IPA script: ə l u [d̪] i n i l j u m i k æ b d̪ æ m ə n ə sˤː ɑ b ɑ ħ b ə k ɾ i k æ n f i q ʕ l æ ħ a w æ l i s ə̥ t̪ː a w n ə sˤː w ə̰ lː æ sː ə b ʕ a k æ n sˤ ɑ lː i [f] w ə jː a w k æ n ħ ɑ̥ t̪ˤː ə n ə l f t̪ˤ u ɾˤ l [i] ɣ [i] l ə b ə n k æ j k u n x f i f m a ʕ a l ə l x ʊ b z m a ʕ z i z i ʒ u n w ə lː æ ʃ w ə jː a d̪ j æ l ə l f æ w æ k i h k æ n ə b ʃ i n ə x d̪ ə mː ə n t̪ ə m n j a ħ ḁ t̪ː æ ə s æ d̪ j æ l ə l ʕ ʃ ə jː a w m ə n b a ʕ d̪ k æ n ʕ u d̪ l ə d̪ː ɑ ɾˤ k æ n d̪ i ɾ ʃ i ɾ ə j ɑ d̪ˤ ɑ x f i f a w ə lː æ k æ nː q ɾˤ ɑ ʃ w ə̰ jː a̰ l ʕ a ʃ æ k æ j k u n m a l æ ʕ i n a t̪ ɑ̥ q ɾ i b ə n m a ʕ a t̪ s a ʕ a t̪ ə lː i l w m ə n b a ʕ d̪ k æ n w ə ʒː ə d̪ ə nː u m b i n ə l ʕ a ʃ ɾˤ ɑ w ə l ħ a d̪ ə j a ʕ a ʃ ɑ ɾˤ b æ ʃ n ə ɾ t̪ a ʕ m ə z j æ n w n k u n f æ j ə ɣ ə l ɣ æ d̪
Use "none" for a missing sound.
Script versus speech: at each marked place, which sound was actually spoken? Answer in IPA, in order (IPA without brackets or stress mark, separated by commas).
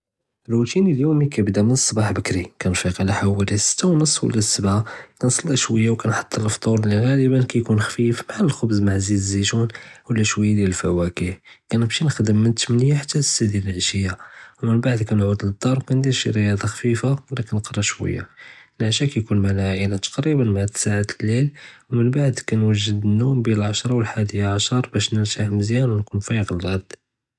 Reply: t̪, ʃ, i, æ